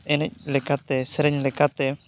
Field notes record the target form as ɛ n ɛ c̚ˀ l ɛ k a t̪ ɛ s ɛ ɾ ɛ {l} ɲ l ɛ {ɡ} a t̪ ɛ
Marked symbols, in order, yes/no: no, no

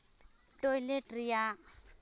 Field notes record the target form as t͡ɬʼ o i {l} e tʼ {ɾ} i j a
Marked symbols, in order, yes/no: yes, no

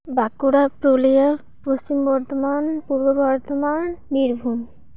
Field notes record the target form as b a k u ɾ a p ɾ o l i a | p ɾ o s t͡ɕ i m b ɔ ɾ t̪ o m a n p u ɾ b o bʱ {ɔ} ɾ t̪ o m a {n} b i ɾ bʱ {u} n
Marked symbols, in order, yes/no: yes, yes, yes

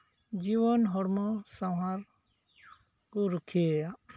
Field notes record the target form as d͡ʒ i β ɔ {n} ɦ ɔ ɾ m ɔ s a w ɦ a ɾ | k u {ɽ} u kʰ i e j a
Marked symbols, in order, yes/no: yes, no

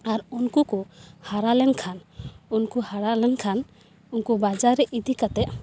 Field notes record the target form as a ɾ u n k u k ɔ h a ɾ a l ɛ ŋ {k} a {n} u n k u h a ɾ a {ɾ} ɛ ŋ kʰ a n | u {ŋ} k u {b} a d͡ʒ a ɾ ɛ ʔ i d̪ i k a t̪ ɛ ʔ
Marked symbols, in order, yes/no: no, yes, no, no, yes

